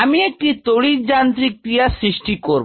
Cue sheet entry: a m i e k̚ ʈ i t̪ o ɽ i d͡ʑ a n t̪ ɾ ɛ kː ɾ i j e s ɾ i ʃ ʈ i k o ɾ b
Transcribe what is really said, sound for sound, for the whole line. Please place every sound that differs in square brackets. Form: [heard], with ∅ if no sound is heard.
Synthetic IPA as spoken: a m i e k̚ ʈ i t̪ o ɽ i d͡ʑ a n t̪ ɾ [i] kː ɾ i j [a] s ɾ i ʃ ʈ i k o ɾ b